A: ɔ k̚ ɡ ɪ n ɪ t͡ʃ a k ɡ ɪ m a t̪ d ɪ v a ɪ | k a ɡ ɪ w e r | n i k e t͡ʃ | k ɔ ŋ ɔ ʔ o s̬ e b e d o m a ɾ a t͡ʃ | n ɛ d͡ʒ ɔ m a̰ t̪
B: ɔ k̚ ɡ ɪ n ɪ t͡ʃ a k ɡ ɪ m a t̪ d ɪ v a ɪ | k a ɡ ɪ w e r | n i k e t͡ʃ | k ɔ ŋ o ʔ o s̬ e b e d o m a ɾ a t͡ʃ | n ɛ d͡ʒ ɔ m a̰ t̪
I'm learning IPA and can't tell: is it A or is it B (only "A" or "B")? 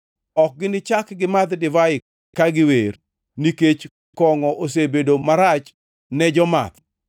A